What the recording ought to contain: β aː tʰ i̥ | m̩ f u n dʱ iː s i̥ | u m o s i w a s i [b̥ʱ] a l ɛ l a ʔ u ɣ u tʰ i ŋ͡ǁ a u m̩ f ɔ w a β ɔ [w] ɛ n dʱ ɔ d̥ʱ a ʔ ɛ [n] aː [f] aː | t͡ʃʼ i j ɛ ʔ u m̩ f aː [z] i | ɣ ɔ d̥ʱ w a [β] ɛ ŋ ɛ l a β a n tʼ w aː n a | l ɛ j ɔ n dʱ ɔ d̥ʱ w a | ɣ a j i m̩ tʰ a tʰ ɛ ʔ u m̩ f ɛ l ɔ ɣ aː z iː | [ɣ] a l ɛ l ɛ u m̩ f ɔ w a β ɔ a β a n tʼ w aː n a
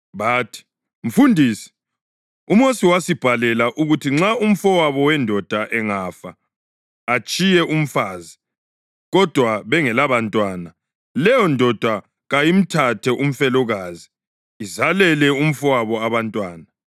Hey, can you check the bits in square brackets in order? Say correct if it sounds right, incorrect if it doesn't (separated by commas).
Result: correct, correct, incorrect, correct, correct, correct, incorrect